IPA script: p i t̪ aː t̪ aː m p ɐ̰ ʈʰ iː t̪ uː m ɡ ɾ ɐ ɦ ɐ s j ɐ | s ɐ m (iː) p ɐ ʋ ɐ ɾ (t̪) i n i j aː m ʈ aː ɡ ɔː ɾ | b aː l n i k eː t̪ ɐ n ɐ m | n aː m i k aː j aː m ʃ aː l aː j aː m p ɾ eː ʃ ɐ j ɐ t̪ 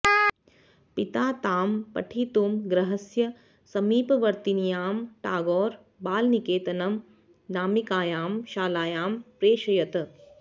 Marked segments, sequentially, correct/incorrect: correct, correct

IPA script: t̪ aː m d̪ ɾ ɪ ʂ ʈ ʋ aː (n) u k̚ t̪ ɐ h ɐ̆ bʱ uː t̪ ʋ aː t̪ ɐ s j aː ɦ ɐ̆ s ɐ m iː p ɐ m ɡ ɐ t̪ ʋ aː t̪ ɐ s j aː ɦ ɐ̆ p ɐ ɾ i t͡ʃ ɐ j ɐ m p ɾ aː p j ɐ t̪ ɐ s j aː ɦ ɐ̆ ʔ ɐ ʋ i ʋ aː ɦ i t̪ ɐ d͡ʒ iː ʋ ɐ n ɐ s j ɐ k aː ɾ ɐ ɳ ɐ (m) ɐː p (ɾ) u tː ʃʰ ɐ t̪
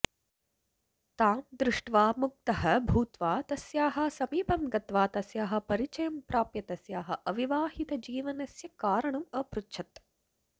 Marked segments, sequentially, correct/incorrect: incorrect: m, correct, correct

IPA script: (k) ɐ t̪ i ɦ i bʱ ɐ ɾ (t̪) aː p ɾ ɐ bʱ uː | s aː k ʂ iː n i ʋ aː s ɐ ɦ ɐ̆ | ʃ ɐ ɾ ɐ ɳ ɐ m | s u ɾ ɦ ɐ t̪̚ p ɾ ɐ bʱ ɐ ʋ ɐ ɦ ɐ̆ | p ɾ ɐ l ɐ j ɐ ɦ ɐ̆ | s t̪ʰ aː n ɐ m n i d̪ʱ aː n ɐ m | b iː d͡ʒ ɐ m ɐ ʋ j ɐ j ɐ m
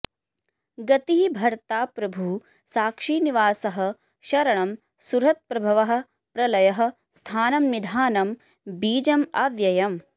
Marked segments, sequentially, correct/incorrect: incorrect: ɡ, correct

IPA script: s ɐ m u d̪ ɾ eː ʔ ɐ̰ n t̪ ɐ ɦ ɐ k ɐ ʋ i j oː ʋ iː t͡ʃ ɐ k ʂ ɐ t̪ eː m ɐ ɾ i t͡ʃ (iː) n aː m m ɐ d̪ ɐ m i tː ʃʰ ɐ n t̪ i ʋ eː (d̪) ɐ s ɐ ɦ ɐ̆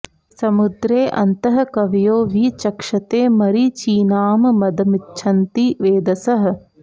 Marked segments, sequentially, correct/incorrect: correct, correct

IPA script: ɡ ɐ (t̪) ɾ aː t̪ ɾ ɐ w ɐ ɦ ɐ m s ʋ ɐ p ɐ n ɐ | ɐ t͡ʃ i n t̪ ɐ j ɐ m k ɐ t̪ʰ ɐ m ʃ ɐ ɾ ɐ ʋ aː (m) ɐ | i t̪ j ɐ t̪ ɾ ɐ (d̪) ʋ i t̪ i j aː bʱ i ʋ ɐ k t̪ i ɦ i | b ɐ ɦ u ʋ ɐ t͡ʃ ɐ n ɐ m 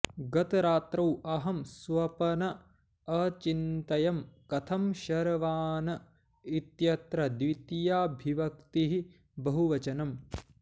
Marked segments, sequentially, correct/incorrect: correct, incorrect: n, correct

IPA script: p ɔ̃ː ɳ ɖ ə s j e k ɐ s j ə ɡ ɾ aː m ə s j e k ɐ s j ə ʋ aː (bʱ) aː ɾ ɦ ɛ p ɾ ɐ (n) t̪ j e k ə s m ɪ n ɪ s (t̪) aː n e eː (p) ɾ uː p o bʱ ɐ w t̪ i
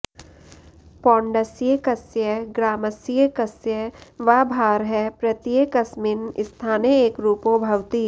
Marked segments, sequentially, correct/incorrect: correct, incorrect: none, incorrect: t̪ʰ, incorrect: k

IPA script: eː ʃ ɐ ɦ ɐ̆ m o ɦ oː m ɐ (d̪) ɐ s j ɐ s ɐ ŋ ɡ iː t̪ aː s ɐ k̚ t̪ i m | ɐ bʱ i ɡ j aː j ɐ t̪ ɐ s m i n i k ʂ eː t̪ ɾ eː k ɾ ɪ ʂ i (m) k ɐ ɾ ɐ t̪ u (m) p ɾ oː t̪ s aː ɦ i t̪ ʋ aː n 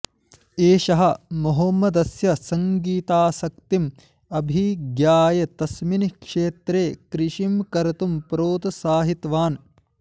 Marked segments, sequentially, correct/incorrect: correct, correct, correct

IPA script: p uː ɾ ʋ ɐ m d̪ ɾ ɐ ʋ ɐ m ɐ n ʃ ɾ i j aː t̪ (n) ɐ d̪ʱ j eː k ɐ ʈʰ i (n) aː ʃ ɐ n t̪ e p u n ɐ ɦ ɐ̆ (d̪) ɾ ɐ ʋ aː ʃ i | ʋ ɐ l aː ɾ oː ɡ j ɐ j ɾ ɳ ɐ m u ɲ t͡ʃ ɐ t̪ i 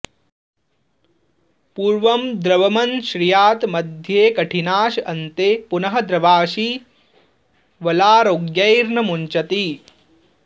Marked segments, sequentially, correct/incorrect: incorrect: m, correct, correct

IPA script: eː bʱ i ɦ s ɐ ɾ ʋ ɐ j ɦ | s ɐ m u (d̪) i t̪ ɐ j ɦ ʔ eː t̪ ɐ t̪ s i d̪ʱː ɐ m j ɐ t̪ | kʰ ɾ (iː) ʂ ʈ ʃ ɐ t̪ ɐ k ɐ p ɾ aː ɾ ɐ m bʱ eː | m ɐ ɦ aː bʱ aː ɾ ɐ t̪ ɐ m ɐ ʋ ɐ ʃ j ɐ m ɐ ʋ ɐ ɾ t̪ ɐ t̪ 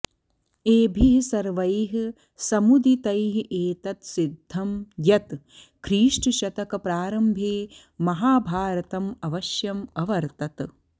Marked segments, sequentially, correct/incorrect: correct, correct

